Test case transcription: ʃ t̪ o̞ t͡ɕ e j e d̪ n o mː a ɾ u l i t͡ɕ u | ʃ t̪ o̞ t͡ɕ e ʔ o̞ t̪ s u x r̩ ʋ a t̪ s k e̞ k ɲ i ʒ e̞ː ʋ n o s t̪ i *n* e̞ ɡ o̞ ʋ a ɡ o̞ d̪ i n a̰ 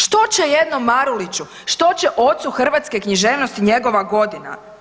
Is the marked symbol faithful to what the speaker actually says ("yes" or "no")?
no